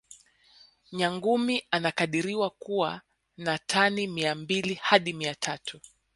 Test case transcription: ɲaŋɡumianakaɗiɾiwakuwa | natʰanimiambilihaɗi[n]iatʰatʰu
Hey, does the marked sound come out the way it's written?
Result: no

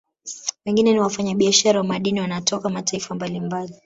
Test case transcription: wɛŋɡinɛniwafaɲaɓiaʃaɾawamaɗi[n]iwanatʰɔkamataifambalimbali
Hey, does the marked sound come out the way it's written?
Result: yes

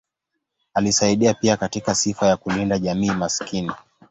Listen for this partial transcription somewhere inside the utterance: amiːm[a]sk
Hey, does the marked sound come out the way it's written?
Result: yes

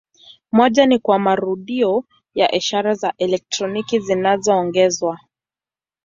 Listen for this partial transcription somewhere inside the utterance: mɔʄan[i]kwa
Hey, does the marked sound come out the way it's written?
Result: yes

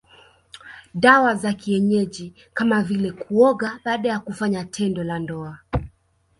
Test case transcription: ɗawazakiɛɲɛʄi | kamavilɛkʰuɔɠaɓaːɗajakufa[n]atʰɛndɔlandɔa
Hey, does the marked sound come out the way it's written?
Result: no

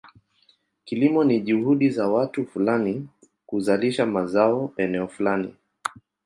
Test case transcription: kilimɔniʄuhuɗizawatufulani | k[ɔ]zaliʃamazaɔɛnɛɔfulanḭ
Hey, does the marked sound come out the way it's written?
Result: no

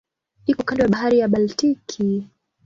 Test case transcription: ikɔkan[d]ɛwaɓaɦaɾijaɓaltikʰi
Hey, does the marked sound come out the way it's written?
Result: yes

